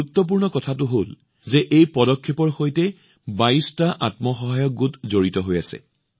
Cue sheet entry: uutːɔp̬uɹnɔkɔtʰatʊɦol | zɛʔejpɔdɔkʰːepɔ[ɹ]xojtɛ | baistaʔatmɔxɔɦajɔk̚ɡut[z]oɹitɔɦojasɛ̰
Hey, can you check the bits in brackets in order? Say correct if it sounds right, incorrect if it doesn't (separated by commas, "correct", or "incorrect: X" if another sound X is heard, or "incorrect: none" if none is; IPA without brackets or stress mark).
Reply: correct, correct